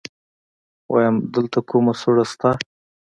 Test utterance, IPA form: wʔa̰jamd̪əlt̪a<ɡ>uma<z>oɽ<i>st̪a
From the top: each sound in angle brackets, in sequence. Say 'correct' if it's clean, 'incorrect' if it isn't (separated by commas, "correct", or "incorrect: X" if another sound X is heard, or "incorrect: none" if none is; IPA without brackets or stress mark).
incorrect: k, incorrect: s, incorrect: a